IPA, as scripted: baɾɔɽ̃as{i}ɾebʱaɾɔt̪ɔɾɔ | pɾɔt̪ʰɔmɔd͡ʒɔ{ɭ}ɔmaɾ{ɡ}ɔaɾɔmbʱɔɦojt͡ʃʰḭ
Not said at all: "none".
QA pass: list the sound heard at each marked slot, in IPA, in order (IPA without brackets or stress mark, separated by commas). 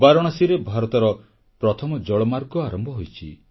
i, ɭ, ɡ